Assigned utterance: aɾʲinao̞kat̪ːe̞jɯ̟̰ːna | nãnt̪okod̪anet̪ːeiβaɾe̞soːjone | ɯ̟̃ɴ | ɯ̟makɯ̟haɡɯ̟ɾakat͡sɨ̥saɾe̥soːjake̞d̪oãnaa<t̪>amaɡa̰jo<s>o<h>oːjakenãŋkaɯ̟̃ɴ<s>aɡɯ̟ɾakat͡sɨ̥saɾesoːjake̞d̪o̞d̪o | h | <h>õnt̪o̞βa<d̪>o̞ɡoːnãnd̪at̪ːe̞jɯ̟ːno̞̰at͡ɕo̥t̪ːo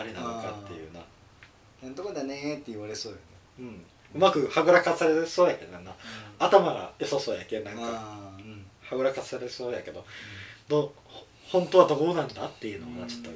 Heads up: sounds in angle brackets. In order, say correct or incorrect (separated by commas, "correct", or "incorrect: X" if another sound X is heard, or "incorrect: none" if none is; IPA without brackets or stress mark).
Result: correct, correct, incorrect: s, incorrect: h, correct, correct